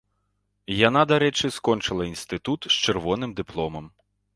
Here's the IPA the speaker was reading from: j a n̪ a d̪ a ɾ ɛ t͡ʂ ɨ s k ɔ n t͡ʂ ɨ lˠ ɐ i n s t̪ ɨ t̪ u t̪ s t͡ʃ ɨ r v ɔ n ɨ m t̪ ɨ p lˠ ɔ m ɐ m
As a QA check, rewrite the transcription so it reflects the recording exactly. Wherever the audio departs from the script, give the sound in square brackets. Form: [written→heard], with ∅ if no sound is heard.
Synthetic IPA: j a n̪ a d̪ a ɾ ɛ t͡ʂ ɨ s k ɔ n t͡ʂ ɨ lˠ ɐ i n s t̪ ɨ t̪ u t̪ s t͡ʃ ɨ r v ɔ n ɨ m [t̪→d̪] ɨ p lˠ ɔ m ɐ m